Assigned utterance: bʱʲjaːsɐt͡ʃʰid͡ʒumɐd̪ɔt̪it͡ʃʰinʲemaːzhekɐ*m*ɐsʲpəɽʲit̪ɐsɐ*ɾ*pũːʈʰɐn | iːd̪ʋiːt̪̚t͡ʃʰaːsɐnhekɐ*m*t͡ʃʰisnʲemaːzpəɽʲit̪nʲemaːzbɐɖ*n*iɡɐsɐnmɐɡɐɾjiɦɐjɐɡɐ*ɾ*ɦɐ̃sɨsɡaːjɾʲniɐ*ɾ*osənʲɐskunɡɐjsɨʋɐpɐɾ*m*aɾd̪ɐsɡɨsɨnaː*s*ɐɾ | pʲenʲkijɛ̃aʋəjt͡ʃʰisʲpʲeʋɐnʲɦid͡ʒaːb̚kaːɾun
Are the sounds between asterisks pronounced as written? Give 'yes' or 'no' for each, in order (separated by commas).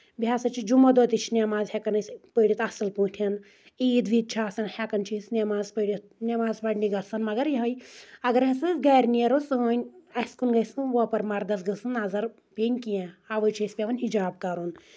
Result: no, no, no, yes, yes, yes, yes, no